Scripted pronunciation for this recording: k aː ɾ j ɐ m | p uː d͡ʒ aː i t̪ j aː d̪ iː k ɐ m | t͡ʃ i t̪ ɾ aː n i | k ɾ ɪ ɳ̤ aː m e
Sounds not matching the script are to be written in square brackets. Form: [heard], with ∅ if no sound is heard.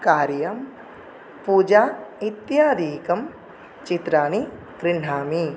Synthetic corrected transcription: k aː ɾ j ɐ m | p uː d͡ʒ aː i t̪ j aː d̪ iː k ɐ m | t͡ʃ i t̪ ɾ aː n i | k ɾ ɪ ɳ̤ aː m [i]